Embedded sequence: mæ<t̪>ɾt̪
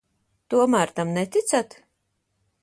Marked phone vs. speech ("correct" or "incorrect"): incorrect